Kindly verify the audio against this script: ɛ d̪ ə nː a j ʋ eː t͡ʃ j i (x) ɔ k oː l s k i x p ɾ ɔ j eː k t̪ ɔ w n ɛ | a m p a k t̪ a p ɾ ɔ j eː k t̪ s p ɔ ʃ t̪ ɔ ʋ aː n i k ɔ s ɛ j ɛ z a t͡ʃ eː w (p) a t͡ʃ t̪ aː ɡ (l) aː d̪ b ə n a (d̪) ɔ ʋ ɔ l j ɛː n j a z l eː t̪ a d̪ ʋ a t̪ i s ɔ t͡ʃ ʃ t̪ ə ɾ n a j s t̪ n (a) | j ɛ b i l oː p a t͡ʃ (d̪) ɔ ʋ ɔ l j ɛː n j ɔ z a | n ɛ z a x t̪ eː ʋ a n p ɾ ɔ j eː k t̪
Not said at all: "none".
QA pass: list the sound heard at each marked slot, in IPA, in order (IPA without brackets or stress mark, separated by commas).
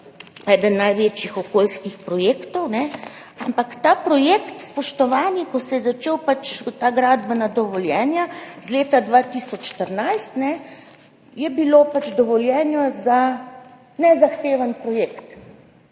x, p, ɾ, d̪, ɛ, d̪